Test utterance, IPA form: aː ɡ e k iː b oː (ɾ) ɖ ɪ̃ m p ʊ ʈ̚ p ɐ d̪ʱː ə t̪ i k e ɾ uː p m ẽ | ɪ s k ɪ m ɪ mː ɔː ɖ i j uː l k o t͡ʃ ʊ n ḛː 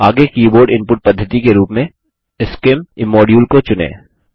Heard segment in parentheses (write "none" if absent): ɾ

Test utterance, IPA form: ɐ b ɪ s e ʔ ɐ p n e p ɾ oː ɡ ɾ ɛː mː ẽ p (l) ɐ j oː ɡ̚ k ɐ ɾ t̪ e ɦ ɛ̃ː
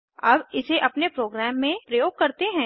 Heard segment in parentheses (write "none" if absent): ɾ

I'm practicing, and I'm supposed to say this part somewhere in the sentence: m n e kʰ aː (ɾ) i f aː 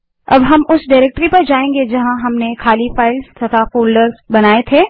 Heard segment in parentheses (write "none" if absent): l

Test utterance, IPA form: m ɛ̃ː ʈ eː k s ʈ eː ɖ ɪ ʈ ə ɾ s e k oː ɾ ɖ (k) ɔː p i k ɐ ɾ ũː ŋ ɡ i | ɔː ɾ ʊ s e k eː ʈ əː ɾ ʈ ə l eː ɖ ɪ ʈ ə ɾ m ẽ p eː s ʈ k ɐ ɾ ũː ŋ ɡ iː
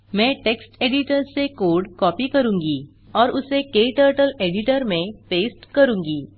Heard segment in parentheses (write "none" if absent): k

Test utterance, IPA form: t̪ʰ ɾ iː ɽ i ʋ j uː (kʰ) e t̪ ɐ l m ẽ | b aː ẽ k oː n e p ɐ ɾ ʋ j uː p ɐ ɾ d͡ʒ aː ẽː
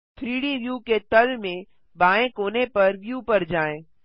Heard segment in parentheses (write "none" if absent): k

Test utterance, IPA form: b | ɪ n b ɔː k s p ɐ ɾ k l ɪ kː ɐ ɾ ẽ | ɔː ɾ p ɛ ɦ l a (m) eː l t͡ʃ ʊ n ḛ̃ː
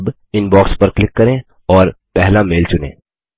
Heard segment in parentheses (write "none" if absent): m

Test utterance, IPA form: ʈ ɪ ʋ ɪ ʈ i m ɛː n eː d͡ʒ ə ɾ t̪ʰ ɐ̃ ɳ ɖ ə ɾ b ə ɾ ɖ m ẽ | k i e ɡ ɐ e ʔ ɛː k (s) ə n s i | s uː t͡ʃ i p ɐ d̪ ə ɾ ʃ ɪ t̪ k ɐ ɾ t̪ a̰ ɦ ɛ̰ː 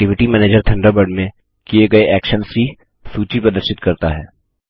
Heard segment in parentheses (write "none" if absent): ʃ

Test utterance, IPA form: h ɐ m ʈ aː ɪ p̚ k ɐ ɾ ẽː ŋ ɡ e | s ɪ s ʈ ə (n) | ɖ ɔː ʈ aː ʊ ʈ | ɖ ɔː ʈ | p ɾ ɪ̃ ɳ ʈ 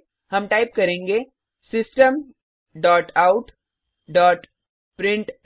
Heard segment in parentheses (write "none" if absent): m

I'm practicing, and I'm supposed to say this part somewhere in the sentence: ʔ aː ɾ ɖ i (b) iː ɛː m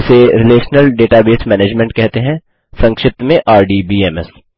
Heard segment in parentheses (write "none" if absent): b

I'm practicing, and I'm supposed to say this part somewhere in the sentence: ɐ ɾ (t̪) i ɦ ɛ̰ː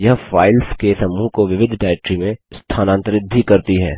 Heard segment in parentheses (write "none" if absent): t̪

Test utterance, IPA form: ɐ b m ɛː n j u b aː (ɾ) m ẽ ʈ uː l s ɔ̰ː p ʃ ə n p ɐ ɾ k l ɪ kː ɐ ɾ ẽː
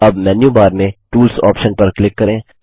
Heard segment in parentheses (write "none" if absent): ɾ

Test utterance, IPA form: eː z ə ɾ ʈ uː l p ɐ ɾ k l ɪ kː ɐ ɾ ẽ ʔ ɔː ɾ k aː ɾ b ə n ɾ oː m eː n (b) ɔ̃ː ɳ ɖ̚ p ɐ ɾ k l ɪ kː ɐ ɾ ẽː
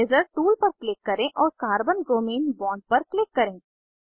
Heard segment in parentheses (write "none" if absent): b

